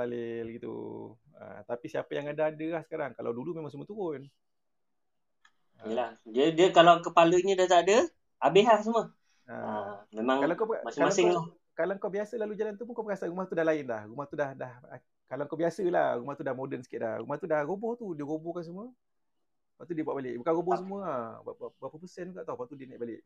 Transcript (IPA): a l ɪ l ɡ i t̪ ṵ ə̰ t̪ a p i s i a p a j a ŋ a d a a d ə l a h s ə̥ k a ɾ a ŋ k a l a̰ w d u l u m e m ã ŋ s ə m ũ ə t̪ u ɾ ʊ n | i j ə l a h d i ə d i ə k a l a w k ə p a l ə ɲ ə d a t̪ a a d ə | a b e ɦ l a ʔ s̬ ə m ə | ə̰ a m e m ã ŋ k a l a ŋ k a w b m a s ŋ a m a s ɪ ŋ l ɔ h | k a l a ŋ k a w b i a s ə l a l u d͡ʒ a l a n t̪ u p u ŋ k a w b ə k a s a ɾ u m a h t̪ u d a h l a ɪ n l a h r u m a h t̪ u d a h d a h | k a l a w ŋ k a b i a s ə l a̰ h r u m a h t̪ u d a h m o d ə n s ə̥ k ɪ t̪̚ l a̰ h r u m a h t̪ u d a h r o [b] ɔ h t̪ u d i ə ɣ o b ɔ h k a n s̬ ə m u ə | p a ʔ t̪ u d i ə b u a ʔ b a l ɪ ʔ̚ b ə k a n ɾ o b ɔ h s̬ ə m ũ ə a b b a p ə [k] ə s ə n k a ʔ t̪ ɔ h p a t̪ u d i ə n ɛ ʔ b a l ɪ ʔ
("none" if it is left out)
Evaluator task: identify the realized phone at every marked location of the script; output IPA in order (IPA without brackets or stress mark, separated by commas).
b, p